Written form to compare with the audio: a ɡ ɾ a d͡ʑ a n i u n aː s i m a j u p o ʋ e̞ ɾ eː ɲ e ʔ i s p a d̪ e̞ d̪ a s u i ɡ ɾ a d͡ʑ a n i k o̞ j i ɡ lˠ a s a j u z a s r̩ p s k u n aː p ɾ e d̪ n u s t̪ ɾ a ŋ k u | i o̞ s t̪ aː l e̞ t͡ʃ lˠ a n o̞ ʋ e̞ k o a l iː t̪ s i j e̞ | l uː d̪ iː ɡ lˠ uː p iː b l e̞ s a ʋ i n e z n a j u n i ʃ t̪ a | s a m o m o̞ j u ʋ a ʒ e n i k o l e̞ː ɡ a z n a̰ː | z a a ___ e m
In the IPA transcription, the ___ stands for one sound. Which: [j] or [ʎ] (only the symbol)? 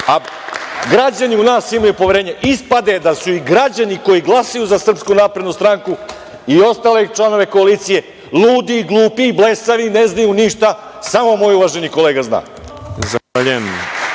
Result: ʎ